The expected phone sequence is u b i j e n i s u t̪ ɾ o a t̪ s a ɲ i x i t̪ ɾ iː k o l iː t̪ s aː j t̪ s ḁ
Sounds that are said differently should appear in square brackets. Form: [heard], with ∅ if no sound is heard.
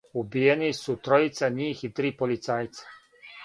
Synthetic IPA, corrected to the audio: u b i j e n i s u t̪ ɾ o [i] t̪ s a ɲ [iː] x i t̪ ɾ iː [p] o l [i] t̪ s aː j t̪ s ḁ